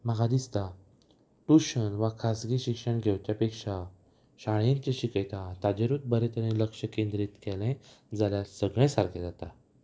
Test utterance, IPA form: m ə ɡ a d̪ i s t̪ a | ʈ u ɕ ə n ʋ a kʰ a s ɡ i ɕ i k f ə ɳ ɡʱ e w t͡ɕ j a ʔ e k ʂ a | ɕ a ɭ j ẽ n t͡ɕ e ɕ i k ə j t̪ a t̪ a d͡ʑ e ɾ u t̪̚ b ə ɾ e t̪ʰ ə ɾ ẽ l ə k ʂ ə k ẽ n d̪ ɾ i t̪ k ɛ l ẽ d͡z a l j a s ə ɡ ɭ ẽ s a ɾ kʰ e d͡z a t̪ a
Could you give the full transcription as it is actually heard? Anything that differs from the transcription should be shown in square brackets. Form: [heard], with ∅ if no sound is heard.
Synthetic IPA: m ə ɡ a d̪ i s t̪ a | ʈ u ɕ ə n ʋ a kʰ a s ɡ i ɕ i k [ʂ] ə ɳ ɡʱ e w t͡ɕ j a [p] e k ʂ a | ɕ a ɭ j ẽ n t͡ɕ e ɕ i k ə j t̪ a t̪ a d͡ʑ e ɾ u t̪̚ b ə ɾ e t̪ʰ ə ɾ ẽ l ə k ʂ ə k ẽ n d̪ ɾ i t̪ k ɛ l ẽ d͡z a l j a s ə ɡ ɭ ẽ s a ɾ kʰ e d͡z a t̪ a